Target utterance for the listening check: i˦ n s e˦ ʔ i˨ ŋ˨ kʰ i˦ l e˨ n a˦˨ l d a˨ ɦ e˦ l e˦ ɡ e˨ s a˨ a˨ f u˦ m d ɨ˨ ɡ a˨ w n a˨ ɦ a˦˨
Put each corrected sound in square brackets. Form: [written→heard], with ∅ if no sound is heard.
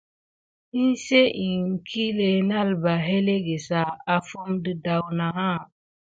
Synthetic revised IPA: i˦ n s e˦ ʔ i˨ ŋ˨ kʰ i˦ l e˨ n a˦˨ l [d→b] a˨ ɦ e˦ l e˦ ɡ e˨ s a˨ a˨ f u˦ m d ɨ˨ [ɡ→d] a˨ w n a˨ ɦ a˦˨

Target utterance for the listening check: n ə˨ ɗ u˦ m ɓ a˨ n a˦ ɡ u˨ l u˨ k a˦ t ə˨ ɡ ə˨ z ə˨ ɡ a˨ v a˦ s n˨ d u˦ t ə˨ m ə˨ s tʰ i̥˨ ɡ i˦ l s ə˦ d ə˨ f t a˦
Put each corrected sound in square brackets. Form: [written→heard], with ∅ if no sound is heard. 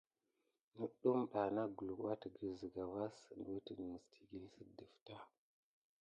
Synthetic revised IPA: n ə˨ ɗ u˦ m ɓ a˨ n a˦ ɡ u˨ l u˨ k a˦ t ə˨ ɡ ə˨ z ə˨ ɡ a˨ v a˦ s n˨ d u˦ t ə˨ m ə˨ s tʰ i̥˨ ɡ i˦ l s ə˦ d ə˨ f t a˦

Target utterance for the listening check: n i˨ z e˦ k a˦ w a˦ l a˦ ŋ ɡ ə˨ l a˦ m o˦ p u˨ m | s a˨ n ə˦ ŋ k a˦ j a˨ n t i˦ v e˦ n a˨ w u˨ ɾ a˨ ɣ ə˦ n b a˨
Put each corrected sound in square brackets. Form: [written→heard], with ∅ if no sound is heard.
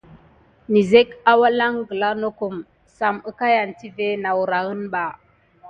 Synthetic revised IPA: n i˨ z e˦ k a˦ w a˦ l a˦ ŋ ɡ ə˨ l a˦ [m→n] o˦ [p→k] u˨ m | s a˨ [n→m] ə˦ [ŋ→∅] k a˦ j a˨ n t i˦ v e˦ n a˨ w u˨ ɾ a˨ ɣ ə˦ n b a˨

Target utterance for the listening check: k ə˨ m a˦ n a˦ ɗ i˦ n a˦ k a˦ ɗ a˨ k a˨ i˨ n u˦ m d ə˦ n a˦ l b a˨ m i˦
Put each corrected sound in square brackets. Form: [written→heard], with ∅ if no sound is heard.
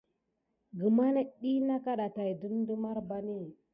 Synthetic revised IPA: [k→ɡ] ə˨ m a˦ n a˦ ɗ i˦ n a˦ k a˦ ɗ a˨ [k→t] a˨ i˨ [n→d] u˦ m d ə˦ [n→m] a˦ [l→ɾ] b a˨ [m→n] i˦

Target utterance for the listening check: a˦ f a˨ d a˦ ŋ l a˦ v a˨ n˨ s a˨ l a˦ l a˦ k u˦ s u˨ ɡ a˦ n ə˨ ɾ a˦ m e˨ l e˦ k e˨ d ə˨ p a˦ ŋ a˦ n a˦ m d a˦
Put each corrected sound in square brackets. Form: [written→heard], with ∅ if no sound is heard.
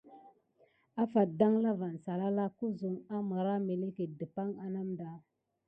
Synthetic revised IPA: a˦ f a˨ d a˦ ŋ l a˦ v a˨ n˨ s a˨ l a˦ l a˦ k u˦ [s→z] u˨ [ɡ→ŋ] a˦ [n→m] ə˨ ɾ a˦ m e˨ l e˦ k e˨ d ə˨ p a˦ ŋ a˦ n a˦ m d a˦

